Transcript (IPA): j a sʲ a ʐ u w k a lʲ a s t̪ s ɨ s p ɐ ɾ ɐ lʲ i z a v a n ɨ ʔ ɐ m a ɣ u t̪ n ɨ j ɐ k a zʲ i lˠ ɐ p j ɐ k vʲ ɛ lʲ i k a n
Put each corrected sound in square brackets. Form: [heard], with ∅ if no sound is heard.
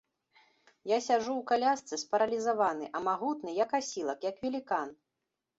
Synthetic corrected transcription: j a sʲ a ʐ u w k a lʲ a s t̪ s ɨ s p ɐ ɾ ɐ lʲ i z a v a n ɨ ʔ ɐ m a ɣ u t̪ n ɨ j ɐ k a [sʲ] i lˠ ɐ [k] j ɐ k vʲ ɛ lʲ i k a n